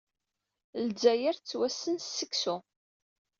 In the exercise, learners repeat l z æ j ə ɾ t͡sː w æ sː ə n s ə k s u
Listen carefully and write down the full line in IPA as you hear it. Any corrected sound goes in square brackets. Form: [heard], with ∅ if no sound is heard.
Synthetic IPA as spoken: l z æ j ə ɾ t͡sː w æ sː ə n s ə k s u